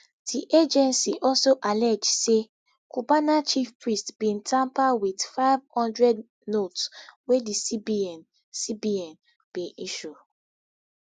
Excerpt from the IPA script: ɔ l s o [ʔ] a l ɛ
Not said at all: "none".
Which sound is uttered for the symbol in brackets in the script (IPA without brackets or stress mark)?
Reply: ʔ